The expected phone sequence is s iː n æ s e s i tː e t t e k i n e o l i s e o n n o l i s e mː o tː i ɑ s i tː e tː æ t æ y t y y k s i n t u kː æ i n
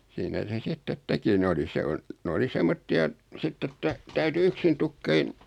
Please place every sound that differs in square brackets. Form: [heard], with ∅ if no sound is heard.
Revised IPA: s iː n æ s e s i tː e t t e k i n e o l i s e o n n o l i s e mː o tː i ɑ s i tː e tː æ t æ y t y y k s i n t u kː [e] i n